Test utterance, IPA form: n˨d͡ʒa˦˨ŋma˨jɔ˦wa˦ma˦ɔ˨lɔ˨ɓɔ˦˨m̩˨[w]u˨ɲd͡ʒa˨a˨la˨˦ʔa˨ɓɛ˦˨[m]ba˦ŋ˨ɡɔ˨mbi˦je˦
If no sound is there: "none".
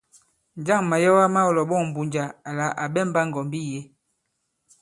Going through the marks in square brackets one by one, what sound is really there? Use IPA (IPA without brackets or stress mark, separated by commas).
b, m